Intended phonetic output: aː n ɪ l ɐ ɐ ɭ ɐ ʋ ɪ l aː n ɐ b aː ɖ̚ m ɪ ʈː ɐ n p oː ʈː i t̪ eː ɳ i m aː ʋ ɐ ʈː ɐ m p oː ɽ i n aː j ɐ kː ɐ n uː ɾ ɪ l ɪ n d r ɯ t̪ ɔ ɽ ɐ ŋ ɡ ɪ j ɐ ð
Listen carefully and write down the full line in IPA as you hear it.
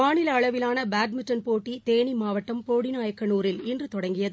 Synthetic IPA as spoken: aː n ɪ l ɐ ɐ ɭ ɐ ʋ ɪ l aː n ɐ b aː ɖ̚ m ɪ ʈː ɐ n p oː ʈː i t̪ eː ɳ i m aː ʋ ɐ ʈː ɐ m p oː ɽ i n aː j ɐ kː ɐ n uː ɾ ɪ l ɪ n d r ɯ t̪ ɔ ɽ ɐ ŋ ɡ ɪ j ɐ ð